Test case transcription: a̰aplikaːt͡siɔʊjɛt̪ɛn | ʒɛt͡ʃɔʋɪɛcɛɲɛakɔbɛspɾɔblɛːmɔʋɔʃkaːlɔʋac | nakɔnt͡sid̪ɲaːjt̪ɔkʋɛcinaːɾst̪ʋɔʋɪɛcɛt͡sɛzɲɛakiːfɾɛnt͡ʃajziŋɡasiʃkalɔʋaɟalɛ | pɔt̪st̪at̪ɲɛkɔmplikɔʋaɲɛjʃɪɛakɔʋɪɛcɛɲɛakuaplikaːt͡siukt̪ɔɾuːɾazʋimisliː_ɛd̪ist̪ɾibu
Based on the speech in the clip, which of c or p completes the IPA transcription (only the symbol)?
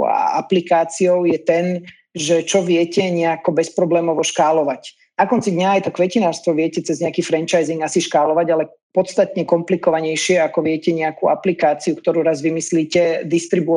c